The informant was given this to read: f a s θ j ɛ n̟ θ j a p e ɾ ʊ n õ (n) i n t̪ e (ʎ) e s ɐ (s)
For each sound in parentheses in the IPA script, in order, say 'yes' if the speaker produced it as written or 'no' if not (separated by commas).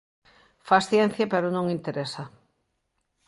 no, no, no